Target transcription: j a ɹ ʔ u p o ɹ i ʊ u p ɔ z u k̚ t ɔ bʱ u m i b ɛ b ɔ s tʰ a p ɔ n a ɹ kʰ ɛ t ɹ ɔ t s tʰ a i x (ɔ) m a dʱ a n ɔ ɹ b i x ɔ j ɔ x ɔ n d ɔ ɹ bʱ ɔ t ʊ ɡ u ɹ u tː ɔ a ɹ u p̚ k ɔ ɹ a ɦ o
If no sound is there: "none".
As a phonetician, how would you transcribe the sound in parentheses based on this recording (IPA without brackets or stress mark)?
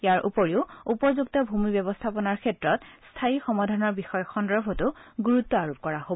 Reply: ɔ